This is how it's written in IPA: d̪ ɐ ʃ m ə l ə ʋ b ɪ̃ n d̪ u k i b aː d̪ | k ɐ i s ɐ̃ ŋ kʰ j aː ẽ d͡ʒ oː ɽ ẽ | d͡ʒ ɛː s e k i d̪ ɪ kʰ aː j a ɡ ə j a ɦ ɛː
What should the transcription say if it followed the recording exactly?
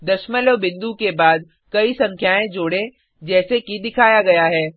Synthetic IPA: d̪ ɐ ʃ m ə l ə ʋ b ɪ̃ n d̪ u k e b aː d̪ | k ɐ i s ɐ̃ ŋ kʰ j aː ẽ d͡ʒ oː ɽ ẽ | d͡ʒ ɛː s e k i d̪ ɪ kʰ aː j a ɡ ɐ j a ɦ ɛː